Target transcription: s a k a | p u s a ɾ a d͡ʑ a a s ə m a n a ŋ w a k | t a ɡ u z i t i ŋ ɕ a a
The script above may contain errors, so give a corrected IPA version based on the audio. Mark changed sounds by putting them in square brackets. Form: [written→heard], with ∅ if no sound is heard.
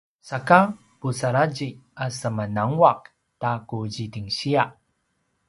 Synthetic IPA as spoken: s a k a | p u s a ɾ a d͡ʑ [a→i] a s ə m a n a ŋ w a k | t a [ɡ→k] u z i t i ŋ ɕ [a→i] a